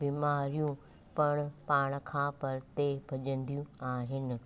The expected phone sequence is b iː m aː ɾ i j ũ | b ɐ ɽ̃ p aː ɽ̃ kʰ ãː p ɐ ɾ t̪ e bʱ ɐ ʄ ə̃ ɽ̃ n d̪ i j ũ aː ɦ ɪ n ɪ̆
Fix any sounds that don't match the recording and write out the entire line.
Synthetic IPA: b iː m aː ɾ i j ũ | p ɐ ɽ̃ p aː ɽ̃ kʰ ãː p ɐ ɾ t̪ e bʱ ɐ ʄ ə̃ n d̪ i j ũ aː ɦ ɪ n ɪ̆